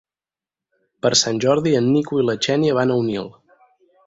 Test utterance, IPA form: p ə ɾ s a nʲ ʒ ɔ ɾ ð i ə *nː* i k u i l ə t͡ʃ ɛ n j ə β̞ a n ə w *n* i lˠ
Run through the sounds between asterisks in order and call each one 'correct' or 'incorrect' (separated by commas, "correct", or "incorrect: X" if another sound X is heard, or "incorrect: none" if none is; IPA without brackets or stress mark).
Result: correct, correct